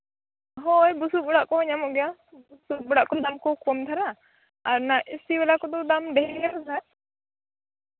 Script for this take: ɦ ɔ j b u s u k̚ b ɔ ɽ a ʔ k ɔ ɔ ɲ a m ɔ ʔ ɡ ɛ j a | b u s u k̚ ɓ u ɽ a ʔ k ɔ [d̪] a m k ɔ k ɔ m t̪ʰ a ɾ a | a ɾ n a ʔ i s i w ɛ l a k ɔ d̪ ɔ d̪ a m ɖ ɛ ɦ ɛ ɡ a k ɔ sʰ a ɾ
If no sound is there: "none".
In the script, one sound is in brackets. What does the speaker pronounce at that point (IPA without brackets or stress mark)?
d̪